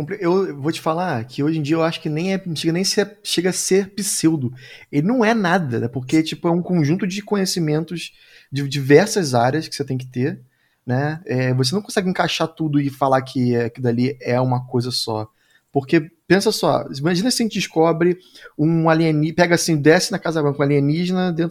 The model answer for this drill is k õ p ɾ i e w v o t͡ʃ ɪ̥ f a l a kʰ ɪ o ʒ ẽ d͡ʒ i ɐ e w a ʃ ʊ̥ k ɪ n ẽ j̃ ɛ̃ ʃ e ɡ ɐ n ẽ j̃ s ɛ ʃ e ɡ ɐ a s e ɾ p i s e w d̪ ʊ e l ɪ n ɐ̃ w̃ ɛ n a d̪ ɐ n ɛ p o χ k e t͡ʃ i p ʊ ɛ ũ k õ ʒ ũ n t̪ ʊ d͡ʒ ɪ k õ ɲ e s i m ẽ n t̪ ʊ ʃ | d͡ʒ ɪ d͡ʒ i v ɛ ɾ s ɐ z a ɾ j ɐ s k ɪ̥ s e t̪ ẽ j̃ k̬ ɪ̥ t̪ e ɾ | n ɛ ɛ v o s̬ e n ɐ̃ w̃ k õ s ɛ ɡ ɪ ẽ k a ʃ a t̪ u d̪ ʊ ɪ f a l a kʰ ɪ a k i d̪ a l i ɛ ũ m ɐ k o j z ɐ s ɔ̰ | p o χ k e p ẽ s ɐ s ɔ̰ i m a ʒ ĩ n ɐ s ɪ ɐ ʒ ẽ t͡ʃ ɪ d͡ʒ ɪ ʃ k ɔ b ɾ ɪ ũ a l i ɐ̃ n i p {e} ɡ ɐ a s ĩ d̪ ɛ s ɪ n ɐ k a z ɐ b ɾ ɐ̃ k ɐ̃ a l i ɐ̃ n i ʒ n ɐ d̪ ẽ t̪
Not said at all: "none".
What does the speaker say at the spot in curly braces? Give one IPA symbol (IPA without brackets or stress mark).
ɛ